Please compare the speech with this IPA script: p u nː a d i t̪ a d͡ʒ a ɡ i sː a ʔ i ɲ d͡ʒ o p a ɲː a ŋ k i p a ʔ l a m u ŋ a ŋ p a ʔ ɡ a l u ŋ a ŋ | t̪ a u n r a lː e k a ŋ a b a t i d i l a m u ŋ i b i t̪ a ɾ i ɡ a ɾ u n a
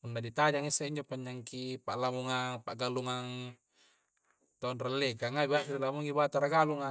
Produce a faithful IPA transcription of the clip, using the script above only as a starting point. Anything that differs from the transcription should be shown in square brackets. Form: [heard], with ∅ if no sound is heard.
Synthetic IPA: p u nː a d i t̪ a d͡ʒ a [ŋ] i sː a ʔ i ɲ d͡ʒ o p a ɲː a ŋ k i p a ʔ l a m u ŋ a ŋ p a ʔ ɡ a l u ŋ a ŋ | t̪ a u n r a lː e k a ŋ a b a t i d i l a m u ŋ i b [a] t̪ a ɾ [a] ɡ a [l] u [ŋ] a